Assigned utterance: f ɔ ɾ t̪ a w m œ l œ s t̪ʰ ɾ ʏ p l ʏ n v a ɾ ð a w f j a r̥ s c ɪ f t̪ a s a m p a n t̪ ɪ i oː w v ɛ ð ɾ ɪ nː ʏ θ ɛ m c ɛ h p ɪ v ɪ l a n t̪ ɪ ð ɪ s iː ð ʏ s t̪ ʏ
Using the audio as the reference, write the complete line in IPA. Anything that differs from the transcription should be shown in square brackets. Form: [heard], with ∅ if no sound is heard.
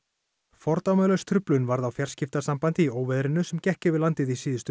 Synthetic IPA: f ɔ ɾ t̪ a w m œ l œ s t̪ʰ ɾ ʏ p l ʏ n v a ɾ ð a w f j a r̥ s c ɪ f t̪ a s a m p a n t̪ ɪ i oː w v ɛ ð ɾ ɪ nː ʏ [s] ɛ m c ɛ h [c] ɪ v ɪ l a n t̪ ɪ ð [i] s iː ð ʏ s t̪ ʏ